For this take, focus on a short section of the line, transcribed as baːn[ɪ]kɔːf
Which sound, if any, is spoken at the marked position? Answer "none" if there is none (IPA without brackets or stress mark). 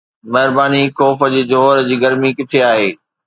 i